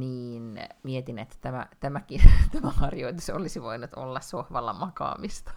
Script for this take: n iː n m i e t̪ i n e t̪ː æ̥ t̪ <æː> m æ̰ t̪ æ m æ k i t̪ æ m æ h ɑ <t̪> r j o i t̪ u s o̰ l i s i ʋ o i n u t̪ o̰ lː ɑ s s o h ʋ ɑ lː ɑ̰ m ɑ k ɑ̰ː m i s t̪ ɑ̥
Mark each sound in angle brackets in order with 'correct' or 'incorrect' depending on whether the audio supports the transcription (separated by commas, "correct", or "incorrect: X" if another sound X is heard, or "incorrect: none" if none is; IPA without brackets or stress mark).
incorrect: æ, incorrect: none